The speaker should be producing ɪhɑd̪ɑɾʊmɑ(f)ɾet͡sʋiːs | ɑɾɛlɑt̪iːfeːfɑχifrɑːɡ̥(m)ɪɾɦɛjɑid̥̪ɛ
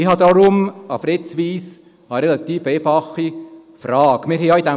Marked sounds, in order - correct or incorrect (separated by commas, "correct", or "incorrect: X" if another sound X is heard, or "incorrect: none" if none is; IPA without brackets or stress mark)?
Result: correct, correct